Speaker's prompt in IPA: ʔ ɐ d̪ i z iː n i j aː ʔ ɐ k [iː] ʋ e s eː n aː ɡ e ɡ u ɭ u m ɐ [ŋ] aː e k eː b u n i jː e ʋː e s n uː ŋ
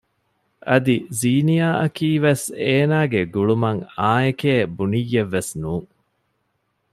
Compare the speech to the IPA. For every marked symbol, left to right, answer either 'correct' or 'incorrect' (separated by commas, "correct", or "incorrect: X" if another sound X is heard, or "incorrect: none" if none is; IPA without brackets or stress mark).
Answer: correct, correct